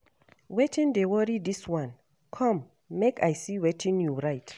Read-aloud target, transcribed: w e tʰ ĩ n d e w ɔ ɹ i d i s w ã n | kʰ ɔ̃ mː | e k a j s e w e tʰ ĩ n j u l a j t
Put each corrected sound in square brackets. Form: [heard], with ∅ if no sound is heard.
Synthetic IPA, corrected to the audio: w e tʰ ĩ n d e w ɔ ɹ i d i s w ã n | kʰ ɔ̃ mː | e k a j s [i] w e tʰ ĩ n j u [ɹ] a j t